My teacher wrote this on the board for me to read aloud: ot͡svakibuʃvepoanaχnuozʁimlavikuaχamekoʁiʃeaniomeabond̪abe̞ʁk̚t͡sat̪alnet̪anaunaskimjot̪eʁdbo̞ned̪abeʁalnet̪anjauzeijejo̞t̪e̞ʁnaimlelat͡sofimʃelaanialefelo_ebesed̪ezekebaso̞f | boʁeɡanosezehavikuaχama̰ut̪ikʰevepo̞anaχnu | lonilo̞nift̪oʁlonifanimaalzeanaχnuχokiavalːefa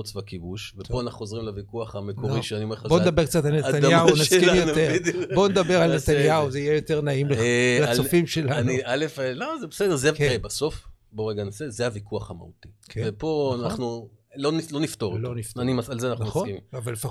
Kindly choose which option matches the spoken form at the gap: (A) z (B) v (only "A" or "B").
A